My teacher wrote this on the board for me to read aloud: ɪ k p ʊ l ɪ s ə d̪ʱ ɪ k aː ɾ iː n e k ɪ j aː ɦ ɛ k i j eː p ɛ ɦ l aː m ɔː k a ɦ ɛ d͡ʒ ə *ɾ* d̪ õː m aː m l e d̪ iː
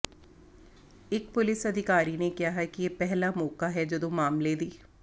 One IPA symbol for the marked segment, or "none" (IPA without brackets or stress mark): none